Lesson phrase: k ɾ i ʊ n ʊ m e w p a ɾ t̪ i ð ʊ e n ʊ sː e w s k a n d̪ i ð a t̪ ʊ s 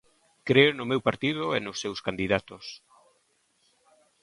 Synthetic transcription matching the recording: k ɾ e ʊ n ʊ m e w p a ɾ t̪ i ð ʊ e n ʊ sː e w s k a n d̪ i ð a t̪ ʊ s